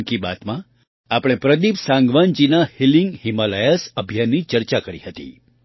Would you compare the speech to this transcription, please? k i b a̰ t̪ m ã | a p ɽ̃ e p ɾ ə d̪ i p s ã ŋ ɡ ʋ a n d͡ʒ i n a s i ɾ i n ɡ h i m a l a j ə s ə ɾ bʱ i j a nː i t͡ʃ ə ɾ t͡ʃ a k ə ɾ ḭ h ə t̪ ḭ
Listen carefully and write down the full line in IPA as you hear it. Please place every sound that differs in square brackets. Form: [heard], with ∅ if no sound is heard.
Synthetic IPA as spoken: k i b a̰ t̪ m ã | a p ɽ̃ e p ɾ ə d̪ i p s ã ŋ ɡ ʋ a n d͡ʒ i n a [h] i [l] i [ŋ] ɡ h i m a l a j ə s ə [∅] bʱ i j a nː i t͡ʃ ə ɾ t͡ʃ a k ə ɾ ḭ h ə t̪ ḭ